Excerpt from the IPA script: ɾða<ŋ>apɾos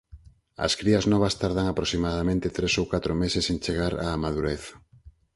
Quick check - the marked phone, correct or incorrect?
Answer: correct